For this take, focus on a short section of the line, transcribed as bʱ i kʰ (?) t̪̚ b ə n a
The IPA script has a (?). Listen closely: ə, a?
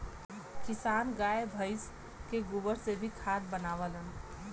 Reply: a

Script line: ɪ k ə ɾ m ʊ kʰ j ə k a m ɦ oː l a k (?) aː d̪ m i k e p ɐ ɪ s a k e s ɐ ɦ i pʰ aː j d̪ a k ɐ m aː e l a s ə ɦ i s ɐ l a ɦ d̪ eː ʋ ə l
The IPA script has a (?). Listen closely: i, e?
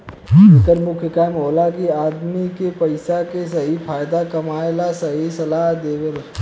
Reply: i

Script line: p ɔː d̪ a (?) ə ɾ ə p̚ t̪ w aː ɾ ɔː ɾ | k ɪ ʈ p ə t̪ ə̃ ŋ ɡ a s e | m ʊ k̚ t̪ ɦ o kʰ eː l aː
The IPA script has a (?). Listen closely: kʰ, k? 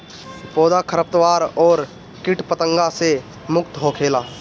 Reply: kʰ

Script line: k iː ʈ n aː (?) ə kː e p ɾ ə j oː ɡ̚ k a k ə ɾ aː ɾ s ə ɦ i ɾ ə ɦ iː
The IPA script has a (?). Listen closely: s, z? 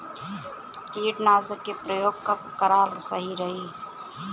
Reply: z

